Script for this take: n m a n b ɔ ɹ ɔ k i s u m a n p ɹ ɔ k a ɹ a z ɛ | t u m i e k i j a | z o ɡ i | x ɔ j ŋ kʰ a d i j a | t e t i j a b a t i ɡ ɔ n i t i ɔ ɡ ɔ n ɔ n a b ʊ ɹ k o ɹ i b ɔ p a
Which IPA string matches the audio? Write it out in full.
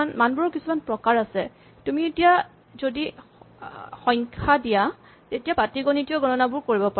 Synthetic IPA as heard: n m a n b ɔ ɹ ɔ k i s u m a n p ɹ ɔ k a ɹ a s ɛ | t u m i e t i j a | z o d i | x ɔ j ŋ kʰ a d i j a | t e t i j a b a t i ɡ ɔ n i t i ɔ ɡ ɔ n ɔ n a b ʊ ɹ k o ɹ i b ɔ p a